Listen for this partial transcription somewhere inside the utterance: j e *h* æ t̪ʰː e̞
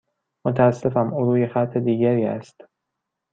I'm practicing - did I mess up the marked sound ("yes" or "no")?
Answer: yes